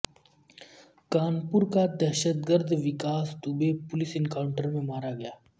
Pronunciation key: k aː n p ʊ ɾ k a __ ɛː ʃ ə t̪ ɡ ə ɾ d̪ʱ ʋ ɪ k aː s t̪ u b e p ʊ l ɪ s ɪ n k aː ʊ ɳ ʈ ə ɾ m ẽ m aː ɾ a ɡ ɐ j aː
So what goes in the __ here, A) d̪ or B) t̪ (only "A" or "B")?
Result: A